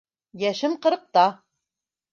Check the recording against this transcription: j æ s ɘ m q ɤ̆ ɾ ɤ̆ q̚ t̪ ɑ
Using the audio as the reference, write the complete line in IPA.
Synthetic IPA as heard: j æ ʃ ɘ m q ɤ̆ ɾ ɤ̆ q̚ t̪ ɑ